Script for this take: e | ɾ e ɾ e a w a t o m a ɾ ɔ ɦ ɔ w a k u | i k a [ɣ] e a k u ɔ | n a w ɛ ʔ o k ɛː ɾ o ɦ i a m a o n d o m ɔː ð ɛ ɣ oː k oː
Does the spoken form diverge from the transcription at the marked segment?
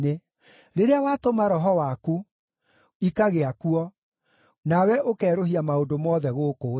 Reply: no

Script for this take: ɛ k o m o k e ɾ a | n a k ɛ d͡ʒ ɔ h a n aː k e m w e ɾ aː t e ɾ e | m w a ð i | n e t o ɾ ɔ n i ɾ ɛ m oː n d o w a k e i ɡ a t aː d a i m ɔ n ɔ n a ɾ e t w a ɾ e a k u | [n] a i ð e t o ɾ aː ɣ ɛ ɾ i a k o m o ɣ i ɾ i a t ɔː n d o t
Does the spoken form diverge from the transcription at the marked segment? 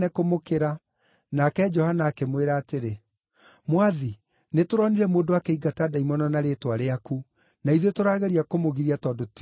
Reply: no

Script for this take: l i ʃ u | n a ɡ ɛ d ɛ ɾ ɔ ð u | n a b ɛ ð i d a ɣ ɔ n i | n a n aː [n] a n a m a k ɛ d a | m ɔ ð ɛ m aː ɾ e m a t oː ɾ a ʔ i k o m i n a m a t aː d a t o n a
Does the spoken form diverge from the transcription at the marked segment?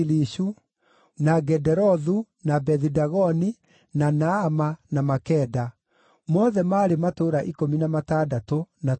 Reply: yes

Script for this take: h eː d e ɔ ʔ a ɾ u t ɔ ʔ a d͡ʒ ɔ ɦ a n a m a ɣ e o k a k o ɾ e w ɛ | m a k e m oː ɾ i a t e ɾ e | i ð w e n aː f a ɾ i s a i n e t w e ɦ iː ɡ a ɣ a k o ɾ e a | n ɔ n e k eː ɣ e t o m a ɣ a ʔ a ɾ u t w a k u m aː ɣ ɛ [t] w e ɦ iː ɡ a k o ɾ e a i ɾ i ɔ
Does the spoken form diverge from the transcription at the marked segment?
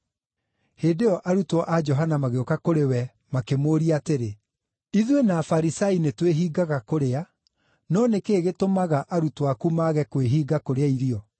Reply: yes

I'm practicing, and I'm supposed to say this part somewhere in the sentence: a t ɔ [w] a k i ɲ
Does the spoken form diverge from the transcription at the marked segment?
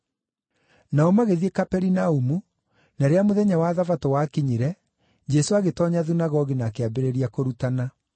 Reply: no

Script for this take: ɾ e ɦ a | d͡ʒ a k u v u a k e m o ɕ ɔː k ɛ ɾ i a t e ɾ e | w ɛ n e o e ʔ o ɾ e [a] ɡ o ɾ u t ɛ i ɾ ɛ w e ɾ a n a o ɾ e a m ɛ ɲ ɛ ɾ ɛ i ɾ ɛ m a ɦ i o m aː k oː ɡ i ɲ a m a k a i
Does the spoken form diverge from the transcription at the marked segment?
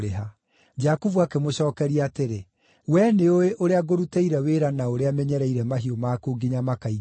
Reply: no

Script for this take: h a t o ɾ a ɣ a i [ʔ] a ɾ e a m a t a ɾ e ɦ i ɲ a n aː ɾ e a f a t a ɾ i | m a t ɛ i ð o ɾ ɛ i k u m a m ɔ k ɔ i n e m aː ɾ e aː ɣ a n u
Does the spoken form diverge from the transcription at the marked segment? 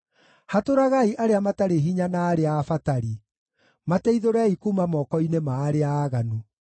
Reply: no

